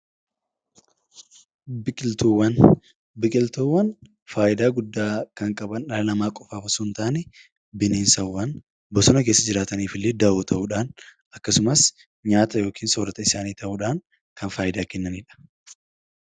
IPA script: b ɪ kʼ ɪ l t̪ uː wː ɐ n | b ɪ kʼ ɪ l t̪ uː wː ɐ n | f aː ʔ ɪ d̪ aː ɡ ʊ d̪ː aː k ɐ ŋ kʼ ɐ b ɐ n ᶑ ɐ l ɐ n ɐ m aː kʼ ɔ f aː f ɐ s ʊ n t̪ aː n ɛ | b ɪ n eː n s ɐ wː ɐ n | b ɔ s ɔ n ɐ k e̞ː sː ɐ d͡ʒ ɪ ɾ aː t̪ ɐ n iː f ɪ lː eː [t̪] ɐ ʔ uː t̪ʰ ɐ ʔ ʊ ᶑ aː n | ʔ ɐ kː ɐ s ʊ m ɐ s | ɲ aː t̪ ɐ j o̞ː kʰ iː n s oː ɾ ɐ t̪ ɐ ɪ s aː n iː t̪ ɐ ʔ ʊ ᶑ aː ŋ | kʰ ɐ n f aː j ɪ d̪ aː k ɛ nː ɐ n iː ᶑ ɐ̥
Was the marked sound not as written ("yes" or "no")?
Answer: yes